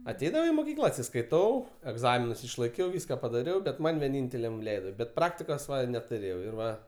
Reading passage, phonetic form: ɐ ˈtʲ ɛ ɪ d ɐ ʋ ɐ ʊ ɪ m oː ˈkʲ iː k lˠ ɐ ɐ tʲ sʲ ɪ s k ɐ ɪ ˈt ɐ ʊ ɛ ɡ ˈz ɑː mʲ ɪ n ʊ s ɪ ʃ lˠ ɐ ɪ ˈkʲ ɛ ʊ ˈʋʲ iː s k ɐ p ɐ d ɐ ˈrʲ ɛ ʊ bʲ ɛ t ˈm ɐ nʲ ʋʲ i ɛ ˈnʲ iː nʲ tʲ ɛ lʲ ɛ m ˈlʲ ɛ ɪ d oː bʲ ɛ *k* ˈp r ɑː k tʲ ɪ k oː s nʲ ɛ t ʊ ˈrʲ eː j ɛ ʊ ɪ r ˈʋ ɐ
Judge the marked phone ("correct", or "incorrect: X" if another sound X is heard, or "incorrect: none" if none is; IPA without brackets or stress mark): incorrect: t